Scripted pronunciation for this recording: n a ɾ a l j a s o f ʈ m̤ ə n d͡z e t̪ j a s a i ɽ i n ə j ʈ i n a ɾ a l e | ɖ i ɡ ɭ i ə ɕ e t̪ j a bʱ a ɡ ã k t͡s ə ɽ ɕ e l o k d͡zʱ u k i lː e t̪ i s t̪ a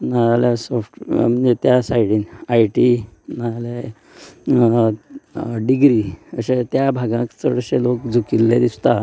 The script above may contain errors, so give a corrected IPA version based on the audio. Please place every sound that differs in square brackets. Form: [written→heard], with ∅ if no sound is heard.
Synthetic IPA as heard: n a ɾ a l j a s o f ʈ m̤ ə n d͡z e t̪ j a s a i ɽ i n [ə→a] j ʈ i n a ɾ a l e | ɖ i ɡ [ɭ→ɾ] i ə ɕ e t̪ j a bʱ a ɡ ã k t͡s ə ɽ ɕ e l o k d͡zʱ u k i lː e [t̪→d̪] i s t̪ a